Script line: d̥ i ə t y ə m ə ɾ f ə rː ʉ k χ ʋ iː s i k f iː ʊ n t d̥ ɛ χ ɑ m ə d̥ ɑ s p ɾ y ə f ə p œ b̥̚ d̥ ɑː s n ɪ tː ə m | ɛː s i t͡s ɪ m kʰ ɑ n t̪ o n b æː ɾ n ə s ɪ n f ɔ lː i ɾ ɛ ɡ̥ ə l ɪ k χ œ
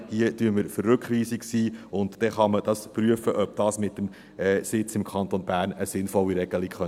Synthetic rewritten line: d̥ i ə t y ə m ə ɾ f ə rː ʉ k χ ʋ iː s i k s iː ʊ n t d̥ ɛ χ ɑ m ə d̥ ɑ s p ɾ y ə f ə ʔ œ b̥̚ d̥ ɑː s m ɪ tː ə m | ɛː s ɪ t͡s ɪ m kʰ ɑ n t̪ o n b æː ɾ n ə s ɪ n f ɔ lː i ɾ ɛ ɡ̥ ə l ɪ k χ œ